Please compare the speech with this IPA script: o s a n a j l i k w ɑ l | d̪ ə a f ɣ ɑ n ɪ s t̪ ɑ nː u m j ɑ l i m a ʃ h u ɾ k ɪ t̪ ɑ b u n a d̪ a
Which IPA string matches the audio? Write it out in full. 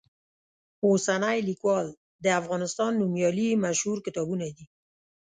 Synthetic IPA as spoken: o s a n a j l i k w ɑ l | d̪ ə a f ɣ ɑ n ɪ s t̪ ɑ nː u m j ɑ l i m a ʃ h u ɾ k ɪ t̪ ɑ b u n a d̪ i